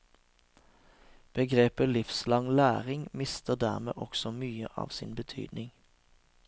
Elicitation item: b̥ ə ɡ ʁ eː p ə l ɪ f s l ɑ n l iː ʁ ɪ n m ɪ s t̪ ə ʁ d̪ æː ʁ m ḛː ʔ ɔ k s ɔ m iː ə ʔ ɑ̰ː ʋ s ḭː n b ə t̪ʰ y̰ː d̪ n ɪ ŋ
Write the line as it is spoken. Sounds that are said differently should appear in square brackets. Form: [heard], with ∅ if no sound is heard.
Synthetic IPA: b̥ ə ɡ ʁ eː p ə l ɪ f s l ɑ [ŋ] l [æː] ʁ ɪ [ŋ] m ɪ s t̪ ə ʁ d̪ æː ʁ m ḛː ʔ ɔ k s ɔ m [yː] ə ʔ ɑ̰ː ʋ s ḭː n b ə t̪ʰ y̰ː d̪ n ɪ ŋ